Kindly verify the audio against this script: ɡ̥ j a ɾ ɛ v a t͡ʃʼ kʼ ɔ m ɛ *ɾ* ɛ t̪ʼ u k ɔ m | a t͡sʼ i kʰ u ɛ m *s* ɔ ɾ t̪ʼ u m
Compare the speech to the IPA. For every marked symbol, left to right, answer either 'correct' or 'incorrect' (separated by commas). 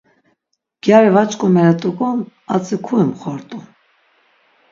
correct, incorrect